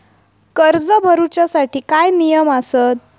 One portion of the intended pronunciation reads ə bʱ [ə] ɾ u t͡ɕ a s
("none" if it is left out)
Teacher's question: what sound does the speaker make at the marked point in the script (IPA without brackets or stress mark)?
ə